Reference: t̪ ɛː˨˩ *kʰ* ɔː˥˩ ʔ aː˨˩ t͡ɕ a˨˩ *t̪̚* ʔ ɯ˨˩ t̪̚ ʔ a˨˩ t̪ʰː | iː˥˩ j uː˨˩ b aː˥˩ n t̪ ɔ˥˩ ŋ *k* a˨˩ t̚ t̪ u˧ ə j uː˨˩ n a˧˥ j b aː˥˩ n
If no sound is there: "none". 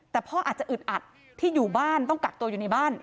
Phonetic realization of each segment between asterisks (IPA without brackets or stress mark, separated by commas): pʰ, none, k